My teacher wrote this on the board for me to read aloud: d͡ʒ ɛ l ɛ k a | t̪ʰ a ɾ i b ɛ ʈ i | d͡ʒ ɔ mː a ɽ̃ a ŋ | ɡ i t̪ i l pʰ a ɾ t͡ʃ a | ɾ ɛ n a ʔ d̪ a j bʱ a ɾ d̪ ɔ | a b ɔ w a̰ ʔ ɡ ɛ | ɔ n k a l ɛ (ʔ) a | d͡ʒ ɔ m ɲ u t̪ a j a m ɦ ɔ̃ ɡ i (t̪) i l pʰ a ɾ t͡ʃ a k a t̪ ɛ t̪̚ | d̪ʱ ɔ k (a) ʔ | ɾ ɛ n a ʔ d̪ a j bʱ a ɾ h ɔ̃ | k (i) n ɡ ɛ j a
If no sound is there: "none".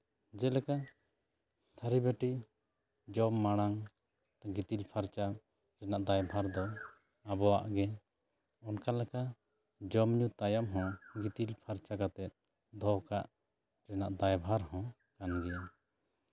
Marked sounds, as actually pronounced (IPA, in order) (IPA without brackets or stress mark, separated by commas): k, t̪, a, a